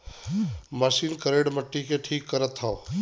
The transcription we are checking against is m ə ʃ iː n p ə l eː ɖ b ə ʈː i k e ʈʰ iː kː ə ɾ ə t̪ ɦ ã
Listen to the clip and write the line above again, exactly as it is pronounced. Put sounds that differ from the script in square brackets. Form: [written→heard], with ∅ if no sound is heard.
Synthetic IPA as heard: m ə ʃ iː n [p→k] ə [l→ɾ] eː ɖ [b→m] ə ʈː i k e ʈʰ iː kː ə ɾ ə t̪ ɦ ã